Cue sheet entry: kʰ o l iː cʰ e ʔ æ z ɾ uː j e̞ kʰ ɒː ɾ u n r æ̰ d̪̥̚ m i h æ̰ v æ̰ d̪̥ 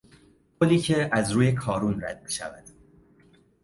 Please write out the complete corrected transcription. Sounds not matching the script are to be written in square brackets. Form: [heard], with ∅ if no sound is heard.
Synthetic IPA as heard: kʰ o l iː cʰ e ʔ æ z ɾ uː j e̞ kʰ ɒː ɾ u n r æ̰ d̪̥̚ m i [ʃ] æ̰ v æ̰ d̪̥